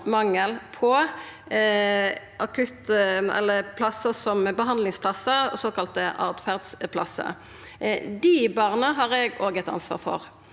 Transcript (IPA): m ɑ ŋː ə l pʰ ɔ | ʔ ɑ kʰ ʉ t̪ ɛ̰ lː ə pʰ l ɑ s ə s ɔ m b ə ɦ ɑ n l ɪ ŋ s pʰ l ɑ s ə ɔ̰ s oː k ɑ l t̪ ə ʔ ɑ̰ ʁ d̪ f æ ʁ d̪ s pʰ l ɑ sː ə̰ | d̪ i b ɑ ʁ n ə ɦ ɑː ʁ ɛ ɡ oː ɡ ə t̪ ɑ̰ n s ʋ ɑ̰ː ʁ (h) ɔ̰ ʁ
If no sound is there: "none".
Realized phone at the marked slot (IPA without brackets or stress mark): f